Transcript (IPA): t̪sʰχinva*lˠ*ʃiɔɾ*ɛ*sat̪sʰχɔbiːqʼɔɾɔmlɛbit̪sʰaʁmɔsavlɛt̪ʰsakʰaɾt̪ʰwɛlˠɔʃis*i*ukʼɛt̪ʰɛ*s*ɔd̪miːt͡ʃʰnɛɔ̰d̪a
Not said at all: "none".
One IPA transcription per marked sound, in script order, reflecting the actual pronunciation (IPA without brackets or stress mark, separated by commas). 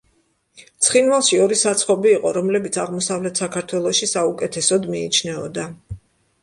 lˠ, i, a, s